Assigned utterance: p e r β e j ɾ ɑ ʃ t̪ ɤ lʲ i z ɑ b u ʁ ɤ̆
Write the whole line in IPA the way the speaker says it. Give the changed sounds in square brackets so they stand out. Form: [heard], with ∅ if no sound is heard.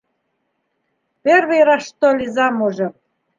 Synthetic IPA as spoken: p e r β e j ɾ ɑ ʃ t̪ [o] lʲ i z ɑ [m] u [ʒ] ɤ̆